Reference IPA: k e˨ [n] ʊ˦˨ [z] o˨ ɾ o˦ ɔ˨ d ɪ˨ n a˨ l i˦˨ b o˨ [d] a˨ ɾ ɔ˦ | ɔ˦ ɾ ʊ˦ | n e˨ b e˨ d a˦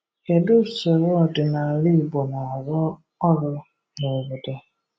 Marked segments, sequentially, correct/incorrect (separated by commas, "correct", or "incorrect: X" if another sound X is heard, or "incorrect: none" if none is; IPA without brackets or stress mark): incorrect: d, incorrect: s, incorrect: n